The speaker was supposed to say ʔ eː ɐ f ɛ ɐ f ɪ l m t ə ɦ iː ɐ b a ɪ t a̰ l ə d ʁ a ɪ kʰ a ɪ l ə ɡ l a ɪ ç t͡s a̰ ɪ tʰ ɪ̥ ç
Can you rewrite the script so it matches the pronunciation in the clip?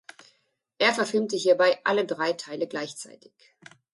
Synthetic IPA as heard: ʔ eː ɐ f ɛ ɐ f ɪ l m t ə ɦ iː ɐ b a ɪ ʔ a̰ l ə d ʁ a ɪ tʰ a ɪ l ə ɡ l a ɪ ç t͡s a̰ ɪ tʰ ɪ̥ ç